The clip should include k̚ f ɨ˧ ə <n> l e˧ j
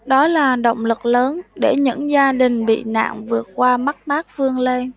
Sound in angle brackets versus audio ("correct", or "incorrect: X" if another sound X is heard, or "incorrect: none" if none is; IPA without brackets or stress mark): incorrect: ŋ